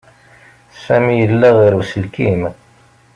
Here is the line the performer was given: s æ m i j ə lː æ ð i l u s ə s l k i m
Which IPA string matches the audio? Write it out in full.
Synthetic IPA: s æ m i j ə lː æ ʁ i ɾ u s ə l k i m